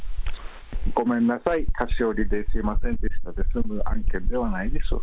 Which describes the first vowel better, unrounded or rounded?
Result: rounded